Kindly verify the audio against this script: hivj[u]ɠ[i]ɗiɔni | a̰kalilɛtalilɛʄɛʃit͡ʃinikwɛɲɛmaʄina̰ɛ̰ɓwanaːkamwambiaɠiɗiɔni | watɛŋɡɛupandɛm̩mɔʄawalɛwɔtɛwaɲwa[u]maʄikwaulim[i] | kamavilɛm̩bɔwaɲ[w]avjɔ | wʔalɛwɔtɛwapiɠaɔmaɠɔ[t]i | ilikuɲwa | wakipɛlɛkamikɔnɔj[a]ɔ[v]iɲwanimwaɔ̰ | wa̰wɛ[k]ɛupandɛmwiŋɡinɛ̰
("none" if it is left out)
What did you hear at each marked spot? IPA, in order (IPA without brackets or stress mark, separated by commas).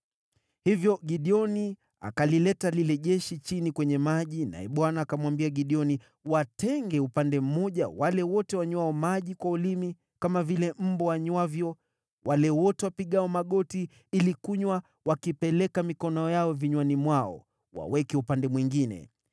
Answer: ɔ, i, ɔ, i, w, t, a, v, k